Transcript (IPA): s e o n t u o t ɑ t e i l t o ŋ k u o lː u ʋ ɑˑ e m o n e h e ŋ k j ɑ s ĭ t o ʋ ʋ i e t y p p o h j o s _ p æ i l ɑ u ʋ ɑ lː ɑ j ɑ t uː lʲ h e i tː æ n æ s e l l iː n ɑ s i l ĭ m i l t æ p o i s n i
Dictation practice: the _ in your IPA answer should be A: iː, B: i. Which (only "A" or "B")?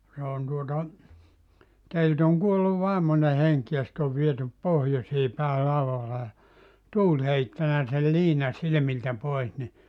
A